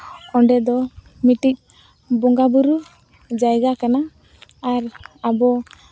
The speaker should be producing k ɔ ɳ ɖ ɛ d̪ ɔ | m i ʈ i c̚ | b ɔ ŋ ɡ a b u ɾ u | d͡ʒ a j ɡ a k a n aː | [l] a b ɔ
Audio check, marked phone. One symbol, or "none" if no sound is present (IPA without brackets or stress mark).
ɾ